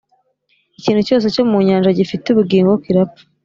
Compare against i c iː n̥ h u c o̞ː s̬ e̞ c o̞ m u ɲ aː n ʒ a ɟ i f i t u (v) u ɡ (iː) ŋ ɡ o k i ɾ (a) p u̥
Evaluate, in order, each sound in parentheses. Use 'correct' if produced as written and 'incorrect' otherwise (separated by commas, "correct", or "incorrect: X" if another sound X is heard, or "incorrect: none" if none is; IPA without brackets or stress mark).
incorrect: β, correct, correct